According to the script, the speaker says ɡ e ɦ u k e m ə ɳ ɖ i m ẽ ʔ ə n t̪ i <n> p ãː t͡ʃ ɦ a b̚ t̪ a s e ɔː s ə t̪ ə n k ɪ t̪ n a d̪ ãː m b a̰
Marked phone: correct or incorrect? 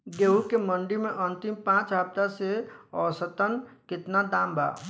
incorrect: m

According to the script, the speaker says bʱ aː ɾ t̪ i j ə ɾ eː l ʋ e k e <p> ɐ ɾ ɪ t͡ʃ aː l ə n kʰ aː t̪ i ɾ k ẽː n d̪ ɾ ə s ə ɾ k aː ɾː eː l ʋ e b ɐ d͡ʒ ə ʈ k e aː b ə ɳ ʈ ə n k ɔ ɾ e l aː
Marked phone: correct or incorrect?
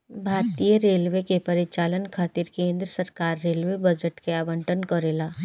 correct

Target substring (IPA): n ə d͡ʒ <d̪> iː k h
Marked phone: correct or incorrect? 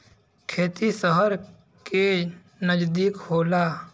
correct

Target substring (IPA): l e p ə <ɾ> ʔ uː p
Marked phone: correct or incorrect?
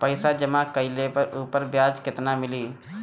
correct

